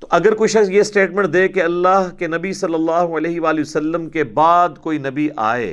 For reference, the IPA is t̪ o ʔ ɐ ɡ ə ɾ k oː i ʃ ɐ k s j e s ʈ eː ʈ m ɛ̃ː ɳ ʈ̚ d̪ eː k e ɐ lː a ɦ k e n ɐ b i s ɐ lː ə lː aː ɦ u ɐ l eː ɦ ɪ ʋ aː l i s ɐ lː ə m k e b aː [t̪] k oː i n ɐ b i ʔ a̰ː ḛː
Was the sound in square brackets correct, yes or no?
no